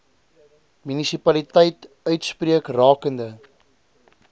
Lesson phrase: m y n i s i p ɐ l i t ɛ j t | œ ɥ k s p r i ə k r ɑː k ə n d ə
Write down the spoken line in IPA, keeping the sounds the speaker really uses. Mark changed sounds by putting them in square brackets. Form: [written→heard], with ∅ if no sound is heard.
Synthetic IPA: m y n i s i p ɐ l i t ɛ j t | œ ɥ [k→t] s p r i ə k r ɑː k ə n d ə